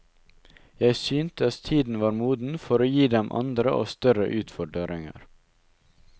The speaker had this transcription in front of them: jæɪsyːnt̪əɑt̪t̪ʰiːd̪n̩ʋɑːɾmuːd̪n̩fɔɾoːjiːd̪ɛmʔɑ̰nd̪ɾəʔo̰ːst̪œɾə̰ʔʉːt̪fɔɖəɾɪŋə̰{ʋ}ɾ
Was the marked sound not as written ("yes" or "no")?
yes